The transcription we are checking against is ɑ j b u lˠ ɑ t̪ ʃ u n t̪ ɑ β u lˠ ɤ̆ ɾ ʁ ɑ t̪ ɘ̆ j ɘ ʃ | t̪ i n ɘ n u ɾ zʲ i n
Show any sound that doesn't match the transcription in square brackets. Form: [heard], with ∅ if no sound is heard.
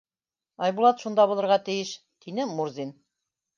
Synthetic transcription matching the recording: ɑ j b u lˠ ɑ t̪ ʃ u n [d̪] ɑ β u lˠ ɤ̆ ɾ ʁ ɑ t̪ ɘ̆ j ɘ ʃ | t̪ i n ɘ [m] u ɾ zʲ i n